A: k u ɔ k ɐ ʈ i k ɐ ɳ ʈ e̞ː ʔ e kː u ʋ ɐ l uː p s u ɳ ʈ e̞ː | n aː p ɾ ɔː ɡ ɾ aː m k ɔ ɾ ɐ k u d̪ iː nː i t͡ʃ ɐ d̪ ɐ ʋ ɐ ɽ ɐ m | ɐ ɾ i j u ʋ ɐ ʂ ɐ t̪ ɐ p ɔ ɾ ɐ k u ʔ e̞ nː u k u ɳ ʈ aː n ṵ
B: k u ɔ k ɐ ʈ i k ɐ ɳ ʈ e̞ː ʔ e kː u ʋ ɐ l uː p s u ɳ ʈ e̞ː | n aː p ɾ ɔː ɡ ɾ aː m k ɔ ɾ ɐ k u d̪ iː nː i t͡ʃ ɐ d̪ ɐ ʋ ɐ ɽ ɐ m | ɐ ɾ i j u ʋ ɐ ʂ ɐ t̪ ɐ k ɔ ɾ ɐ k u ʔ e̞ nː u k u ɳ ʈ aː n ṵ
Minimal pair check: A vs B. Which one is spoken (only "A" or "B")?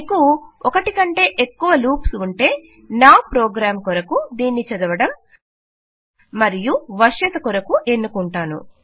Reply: B